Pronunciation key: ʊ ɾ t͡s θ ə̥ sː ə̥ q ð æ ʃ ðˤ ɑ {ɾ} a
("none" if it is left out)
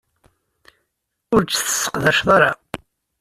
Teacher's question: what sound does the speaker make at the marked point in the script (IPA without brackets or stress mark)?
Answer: ɾ